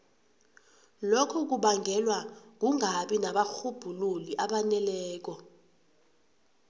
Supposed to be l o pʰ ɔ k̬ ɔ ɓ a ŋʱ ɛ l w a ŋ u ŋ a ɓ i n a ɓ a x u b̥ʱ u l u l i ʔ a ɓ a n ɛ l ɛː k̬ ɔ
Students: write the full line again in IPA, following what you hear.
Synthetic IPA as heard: l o kʰ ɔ k̬ u ɓ a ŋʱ ɛ l w a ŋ u ŋ a ɓ i n a ɓ a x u b̥ʱ u l u l i ʔ a ɓ a n ɛ l ɛː k̬ ɔ

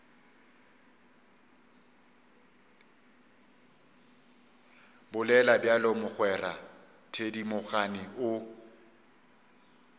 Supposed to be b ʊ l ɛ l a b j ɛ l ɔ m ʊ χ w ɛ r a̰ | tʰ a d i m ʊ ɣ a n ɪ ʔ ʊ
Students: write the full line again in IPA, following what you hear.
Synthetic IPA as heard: b ʊ l ɛ l a b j a l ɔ m ʊ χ w ɛ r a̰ | tʰ e d i m ʊ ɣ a n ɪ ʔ ʊ

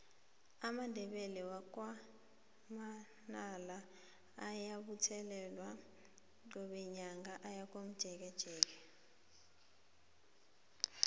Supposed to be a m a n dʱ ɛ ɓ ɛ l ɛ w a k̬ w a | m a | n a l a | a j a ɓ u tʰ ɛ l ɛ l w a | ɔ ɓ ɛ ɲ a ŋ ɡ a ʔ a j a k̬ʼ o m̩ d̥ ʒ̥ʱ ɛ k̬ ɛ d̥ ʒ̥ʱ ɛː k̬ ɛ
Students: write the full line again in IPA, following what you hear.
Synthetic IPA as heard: a m a n dʱ ɛ ɓ ɛ l ɛ w a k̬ w a | m a | n a l a | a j a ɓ u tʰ ɛ l ɛ l w a | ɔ ɓ ɛ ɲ a ŋ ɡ a ʔ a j a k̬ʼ o m̩ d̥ ʒ̥ʱ ɛ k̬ ɛ d̥ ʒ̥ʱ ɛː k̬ ɛ

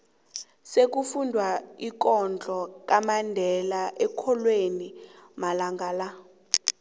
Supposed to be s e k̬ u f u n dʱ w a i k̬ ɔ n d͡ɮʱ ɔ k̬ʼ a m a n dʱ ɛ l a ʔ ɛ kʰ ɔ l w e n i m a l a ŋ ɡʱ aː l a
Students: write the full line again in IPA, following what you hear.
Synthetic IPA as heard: s e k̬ u f u n dʱ w a i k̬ ɔ n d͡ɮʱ ɔ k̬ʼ a m a n dʱ ɛ l a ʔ ɛ kʰ ɔ l w e n i m a l a ŋ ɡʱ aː l a

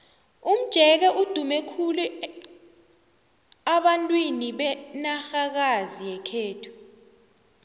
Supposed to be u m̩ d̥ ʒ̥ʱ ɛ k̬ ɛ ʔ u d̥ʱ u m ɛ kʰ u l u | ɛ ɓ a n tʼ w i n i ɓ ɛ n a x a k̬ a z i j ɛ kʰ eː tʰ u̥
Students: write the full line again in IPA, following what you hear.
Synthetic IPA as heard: u m̩ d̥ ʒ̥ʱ ɛ k̬ ɛ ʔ u d̥ʱ u m ɛ kʰ u l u | a ɓ a n tʼ w i n i ɓ ɛ n a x a k̬ a z i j ɛ kʰ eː tʰ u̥

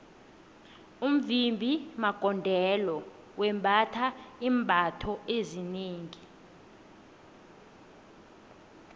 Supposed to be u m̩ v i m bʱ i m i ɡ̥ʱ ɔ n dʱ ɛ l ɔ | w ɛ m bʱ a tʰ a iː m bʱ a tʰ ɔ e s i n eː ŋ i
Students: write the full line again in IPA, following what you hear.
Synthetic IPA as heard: u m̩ v i m bʱ i m a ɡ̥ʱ ɔ n dʱ ɛ l ɔ | w ɛ m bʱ a tʰ a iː m bʱ a tʰ ɔ e z i n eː ŋ i

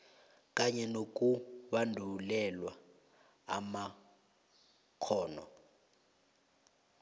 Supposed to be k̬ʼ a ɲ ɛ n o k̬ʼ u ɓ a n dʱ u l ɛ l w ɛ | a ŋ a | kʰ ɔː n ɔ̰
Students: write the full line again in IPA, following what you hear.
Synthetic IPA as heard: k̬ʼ a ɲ ɛ n o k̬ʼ u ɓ a n dʱ u l ɛ l w a | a m a | kʰ ɔː n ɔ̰

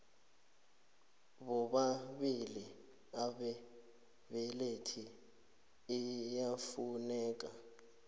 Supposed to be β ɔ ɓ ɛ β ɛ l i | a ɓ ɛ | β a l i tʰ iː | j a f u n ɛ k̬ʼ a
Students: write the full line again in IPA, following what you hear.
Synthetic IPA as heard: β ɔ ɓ a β i l i | a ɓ ɛ | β ɛ l e tʰ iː | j a f u n ɛː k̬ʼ a

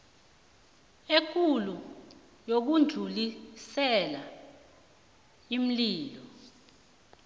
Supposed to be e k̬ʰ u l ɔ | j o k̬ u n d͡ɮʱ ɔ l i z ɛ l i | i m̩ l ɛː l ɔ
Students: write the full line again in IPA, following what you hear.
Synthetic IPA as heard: e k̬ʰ u l u | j o k̬ u n d͡ɮʱ u l i s ɛ l a | i m̩ l iː l ɔ

